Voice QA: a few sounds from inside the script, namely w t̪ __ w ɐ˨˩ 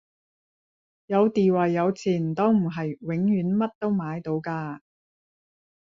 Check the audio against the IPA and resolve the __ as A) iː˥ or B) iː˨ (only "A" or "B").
B